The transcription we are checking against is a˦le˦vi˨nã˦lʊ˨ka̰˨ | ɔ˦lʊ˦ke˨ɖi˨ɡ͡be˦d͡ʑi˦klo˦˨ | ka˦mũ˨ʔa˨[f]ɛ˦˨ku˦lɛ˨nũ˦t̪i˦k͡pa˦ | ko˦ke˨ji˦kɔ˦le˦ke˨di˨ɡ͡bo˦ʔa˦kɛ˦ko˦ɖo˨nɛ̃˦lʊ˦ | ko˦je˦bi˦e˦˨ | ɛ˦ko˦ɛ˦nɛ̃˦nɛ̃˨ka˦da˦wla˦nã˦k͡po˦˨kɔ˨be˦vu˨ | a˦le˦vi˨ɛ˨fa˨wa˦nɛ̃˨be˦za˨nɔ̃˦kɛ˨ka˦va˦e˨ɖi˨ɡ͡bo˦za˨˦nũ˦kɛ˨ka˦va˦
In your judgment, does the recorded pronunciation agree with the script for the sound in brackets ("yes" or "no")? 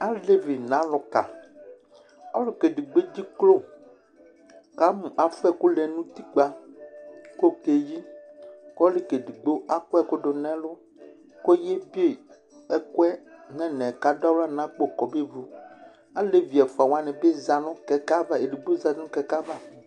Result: yes